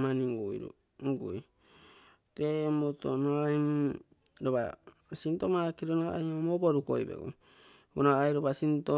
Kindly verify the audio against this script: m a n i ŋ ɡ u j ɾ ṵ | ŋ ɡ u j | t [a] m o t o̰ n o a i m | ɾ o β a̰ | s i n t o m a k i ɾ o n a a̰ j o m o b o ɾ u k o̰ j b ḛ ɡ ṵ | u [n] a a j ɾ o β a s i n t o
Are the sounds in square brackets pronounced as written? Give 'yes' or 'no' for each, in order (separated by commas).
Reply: no, yes